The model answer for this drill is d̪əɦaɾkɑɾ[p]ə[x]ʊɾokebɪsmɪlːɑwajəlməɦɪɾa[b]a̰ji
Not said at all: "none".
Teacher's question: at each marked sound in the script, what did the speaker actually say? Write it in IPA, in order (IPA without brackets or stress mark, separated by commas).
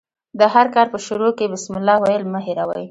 p, ʃ, w